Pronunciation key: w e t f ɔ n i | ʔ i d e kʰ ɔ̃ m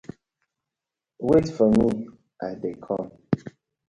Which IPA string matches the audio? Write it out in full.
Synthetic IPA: w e t f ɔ m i | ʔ a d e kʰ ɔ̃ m